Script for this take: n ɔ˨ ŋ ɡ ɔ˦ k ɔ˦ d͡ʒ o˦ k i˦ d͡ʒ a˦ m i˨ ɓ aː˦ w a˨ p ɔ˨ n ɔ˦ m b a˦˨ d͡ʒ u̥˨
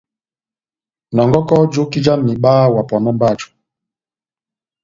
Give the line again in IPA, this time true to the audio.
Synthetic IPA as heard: n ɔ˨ ŋ ɡ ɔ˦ k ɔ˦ d͡ʒ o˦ k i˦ d͡ʒ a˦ m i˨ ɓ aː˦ w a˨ p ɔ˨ n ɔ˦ m b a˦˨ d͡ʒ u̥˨